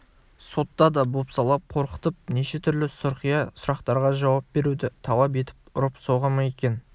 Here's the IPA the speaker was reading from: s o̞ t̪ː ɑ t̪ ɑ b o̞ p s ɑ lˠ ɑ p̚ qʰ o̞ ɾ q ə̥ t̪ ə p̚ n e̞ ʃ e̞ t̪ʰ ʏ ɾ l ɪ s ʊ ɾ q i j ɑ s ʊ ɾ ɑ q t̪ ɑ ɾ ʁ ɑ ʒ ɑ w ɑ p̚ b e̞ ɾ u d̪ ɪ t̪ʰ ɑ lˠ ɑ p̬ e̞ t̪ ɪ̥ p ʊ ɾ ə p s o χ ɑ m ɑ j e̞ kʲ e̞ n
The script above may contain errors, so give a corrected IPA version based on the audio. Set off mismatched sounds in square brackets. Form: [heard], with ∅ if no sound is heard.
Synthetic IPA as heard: s o̞ t̪ː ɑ [d̪] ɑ b o̞ p s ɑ lˠ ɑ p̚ qʰ o̞ ɾ q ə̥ t̪ ə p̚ n e̞ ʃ e̞ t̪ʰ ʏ ɾ l ɪ s ʊ ɾ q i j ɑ s ʊ ɾ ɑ q t̪ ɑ ɾ ʁ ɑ ʒ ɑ w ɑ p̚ b e̞ ɾ u d̪ ɪ t̪ʰ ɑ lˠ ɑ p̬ e̞ t̪ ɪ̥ p ʊ ɾ ə p s o [ʁ] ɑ m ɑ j e̞ kʲ e̞ n